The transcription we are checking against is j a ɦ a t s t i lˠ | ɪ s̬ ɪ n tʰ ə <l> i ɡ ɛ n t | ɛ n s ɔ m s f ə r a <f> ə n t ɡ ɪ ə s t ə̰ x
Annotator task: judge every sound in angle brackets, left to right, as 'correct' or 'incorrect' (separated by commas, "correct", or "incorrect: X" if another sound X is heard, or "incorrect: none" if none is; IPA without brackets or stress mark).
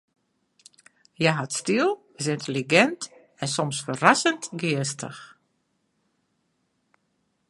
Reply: correct, incorrect: s